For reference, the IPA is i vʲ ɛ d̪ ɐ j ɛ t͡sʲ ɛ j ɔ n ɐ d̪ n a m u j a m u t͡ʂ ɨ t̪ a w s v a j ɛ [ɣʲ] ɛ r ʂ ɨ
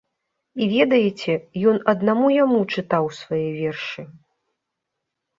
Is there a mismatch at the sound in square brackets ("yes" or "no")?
yes